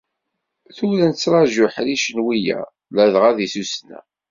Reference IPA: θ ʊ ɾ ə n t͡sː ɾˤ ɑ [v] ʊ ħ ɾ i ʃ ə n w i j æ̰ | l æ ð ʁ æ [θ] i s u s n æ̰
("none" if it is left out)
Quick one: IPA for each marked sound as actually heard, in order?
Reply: ʒ, ð

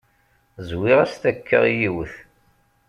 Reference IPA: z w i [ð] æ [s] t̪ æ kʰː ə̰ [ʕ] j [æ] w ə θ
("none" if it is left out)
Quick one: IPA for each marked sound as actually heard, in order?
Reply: ʁ, s, ʁ, i

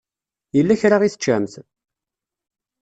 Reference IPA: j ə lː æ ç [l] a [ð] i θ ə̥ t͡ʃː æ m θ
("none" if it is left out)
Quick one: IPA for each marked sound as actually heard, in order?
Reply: ɾ, ʁ

